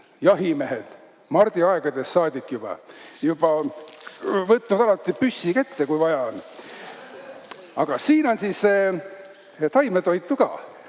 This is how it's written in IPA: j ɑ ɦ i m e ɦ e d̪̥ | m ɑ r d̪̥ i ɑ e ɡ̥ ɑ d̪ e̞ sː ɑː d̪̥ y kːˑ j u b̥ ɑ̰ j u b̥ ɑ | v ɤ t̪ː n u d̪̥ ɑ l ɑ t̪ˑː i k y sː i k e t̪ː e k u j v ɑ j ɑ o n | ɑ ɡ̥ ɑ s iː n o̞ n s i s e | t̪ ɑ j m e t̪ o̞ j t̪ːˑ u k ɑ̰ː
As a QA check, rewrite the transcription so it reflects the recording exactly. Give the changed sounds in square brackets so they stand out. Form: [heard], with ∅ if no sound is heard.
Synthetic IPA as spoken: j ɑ ɦ i m e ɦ e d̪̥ | m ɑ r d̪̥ i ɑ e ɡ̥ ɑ d̪ e̞ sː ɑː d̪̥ [i] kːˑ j u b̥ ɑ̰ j u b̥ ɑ | v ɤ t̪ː n u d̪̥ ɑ l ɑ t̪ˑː i [p] y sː i k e t̪ː e k u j v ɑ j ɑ o n | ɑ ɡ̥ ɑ s iː n o̞ n s i s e | t̪ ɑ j m e t̪ o̞ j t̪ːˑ u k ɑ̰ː